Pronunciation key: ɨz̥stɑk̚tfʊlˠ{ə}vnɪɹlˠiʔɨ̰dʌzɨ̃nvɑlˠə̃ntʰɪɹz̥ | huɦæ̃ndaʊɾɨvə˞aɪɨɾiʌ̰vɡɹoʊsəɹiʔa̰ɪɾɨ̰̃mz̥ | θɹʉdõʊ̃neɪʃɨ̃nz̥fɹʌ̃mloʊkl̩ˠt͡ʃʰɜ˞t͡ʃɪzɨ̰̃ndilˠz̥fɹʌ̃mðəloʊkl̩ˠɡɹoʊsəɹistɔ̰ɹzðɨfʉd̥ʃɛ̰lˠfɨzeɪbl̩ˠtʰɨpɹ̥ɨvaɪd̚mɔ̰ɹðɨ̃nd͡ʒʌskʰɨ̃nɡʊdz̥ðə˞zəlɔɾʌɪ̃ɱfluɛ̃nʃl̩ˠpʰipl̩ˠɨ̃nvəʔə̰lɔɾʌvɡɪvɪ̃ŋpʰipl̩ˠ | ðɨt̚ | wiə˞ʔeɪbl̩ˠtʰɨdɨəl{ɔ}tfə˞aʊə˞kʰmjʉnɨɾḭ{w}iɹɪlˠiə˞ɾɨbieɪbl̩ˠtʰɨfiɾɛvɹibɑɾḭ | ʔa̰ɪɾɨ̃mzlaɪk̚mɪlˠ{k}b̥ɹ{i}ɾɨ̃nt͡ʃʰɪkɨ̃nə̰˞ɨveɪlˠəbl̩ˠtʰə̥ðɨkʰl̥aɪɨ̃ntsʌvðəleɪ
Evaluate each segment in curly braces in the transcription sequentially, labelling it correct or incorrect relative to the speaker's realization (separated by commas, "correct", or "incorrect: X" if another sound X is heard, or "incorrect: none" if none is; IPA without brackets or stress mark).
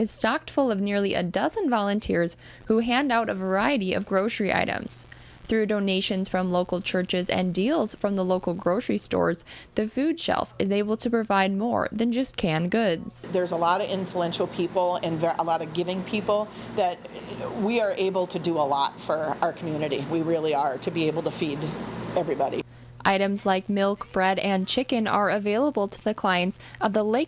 incorrect: ʌ, correct, correct, correct, incorrect: ɛ